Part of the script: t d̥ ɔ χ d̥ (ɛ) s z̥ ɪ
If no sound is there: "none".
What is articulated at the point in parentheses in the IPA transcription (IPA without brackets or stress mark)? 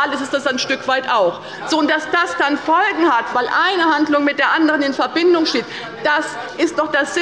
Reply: a